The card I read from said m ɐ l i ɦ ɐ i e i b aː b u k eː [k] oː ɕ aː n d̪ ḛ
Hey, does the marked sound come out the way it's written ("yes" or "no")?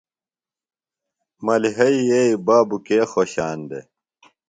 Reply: no